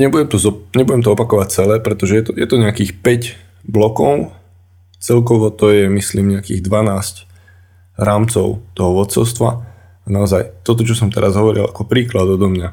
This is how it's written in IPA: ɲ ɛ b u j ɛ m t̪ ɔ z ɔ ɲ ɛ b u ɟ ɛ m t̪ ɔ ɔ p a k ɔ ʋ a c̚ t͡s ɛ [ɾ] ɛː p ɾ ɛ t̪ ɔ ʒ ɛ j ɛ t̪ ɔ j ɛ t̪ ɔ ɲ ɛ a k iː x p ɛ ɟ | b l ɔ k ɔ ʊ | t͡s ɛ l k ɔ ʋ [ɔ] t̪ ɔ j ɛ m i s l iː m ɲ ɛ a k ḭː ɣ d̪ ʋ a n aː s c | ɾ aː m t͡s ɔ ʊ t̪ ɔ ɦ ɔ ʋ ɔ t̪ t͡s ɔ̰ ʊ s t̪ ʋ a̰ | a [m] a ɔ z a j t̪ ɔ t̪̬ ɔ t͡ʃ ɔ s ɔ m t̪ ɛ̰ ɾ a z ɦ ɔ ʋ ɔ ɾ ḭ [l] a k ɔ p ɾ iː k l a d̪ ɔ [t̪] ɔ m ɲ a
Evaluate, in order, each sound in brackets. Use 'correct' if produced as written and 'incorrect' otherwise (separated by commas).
incorrect, correct, incorrect, correct, incorrect